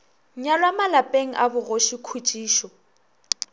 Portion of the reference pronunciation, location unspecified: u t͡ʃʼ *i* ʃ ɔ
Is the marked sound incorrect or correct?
incorrect